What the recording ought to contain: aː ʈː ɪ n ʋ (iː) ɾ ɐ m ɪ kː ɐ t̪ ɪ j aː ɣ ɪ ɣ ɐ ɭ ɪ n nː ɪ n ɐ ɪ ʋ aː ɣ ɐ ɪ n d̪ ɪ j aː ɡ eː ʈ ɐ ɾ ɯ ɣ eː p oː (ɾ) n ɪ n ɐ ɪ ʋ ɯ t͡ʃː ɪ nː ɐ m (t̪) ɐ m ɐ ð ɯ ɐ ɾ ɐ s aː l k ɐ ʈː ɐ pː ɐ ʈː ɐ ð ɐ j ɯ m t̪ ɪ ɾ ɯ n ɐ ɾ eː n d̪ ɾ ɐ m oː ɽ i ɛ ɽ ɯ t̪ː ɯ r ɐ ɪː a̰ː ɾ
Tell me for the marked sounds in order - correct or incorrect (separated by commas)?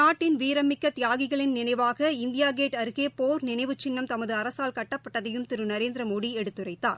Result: correct, correct, correct